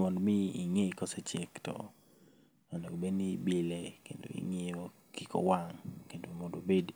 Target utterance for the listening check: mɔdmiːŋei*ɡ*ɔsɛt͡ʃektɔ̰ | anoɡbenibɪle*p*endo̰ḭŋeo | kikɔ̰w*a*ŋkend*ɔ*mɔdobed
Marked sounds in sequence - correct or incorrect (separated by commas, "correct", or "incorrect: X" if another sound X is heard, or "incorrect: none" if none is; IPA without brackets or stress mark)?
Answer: incorrect: k, incorrect: k, correct, incorrect: o